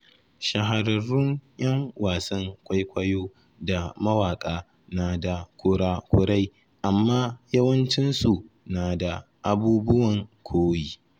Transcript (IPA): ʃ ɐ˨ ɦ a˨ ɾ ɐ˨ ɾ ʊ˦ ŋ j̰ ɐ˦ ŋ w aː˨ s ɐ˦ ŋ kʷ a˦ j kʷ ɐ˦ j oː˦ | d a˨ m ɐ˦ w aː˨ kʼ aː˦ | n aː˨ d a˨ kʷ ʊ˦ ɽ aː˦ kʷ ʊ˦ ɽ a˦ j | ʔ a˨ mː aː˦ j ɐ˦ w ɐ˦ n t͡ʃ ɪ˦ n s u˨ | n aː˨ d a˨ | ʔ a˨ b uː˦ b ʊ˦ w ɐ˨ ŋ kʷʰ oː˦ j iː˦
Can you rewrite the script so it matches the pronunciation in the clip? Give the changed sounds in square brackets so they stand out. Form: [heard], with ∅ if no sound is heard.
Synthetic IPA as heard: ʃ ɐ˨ ɦ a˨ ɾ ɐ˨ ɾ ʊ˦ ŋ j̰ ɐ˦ ŋ w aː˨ s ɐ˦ ŋ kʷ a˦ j kʷ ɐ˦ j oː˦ | d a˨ m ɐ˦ w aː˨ kʼ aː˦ | n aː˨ d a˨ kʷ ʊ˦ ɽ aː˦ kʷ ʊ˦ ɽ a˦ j | ʔ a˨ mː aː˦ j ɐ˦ w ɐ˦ n t͡ʃ ɪ˦ n s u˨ | n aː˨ d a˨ | ʔ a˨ b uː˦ b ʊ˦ w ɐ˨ ŋ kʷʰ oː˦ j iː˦